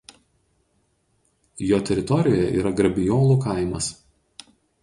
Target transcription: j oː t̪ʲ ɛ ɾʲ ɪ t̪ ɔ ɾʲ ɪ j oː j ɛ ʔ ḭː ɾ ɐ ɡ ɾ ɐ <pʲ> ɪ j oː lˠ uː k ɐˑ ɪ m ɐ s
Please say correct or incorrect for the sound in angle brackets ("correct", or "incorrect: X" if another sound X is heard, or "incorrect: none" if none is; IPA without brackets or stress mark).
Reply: incorrect: bʲ